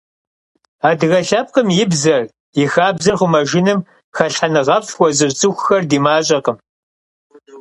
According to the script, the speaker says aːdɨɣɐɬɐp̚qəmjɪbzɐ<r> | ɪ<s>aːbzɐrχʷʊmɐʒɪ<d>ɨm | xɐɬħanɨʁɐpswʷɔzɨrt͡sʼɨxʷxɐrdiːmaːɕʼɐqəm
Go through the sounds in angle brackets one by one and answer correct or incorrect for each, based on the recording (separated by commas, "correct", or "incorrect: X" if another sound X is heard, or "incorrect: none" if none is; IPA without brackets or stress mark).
correct, incorrect: x, incorrect: n